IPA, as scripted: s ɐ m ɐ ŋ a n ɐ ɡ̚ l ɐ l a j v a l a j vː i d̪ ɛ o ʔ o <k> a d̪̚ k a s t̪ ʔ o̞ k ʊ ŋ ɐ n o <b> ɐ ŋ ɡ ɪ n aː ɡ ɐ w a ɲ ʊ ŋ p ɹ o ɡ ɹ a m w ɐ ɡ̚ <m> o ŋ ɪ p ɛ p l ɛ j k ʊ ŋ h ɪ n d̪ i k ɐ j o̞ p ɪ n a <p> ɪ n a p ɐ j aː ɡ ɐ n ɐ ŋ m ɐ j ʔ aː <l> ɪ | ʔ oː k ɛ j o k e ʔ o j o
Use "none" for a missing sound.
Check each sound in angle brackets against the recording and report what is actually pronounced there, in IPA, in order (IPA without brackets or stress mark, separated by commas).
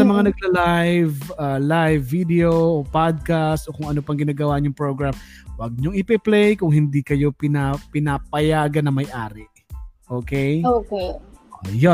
p, p, ɲ, p, ɾ